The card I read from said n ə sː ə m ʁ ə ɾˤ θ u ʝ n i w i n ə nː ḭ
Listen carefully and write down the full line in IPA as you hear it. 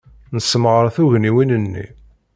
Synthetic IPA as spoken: n ə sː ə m ʁ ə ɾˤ θ u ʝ n i w i n ə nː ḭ